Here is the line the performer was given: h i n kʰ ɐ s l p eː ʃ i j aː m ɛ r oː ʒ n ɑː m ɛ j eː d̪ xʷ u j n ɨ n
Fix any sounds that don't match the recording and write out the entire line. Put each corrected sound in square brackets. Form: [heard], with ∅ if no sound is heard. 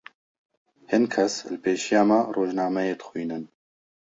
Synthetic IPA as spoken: h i n kʰ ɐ s l p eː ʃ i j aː m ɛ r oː ʒ n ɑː m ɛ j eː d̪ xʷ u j n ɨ n